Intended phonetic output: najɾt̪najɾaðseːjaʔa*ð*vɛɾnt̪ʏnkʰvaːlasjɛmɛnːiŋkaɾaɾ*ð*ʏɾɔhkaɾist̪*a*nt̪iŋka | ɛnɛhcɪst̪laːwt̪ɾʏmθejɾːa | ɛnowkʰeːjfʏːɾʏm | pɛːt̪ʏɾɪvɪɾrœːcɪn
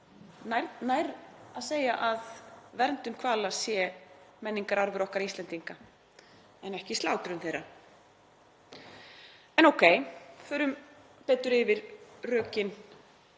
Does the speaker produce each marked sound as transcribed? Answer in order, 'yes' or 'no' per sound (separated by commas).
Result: yes, no, no